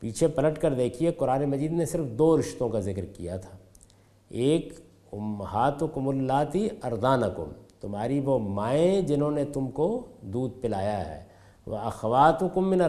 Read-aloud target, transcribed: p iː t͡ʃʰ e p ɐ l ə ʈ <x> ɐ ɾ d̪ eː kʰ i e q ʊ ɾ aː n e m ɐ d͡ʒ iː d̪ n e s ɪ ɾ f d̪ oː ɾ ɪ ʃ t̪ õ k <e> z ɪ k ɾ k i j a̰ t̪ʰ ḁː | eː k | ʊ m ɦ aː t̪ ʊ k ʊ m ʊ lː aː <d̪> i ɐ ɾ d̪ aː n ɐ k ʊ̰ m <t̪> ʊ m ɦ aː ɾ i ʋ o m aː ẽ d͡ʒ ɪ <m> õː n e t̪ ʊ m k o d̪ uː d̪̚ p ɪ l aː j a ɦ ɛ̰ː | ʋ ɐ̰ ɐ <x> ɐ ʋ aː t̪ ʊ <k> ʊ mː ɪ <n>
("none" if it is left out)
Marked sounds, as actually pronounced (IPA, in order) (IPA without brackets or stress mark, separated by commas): k, a, t̪, t̪, n, x, k, n